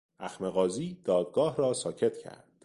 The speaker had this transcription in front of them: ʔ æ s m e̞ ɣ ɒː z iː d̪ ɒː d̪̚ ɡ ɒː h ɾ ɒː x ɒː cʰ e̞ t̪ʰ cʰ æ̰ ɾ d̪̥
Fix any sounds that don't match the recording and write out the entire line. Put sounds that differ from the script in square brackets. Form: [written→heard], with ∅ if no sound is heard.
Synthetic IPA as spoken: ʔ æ [s→x] m e̞ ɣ ɒː z iː d̪ ɒː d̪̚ ɡ ɒː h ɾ ɒː [x→s] ɒː cʰ e̞ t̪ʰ cʰ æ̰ ɾ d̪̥